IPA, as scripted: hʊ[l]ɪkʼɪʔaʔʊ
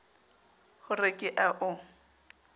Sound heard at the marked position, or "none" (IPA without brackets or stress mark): r